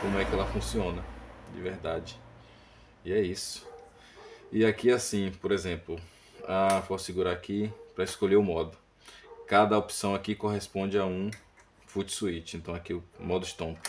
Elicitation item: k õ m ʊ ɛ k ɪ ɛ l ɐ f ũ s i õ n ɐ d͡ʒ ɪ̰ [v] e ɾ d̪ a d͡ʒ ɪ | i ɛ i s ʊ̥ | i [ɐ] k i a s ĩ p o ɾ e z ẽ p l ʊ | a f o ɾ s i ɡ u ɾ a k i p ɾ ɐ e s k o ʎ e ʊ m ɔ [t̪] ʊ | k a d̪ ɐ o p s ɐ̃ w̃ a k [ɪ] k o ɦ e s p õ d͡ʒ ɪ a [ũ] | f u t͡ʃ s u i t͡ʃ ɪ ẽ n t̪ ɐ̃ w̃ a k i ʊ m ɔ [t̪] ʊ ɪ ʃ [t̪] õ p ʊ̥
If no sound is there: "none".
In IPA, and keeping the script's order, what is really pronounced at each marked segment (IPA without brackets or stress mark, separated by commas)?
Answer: v, a, d̪, i, ũ, d̪, t̪